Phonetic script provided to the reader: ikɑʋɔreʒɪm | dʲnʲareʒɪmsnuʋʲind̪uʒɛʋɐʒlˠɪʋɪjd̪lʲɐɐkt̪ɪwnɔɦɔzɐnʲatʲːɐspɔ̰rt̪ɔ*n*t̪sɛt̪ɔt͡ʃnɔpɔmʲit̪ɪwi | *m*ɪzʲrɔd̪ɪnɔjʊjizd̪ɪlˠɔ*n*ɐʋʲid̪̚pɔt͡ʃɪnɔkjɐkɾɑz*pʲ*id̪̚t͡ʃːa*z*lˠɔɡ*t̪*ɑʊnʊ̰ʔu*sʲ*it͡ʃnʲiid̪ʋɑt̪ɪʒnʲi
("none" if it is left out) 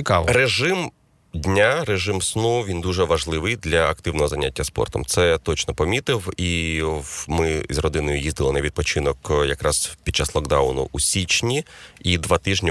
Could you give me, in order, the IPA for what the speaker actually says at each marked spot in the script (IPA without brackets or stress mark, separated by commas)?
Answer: m, m, n, pʲ, s, d̪, sʲ